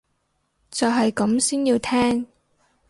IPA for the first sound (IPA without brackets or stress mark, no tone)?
t͡s